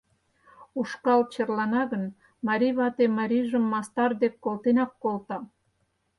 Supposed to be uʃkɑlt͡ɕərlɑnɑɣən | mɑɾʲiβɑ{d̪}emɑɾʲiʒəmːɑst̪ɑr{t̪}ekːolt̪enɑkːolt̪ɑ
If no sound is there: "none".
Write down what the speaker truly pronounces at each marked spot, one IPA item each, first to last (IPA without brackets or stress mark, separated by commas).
t̪, d̪